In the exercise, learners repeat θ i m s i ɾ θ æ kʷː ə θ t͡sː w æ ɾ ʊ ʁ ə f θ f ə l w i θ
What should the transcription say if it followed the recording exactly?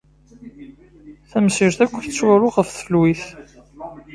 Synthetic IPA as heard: θ æ m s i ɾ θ æ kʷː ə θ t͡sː w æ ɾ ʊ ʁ ə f θ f ə l w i θ